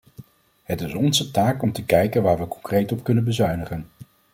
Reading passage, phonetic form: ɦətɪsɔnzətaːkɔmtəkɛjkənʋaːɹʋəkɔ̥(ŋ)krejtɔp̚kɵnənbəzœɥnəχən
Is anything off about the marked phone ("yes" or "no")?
no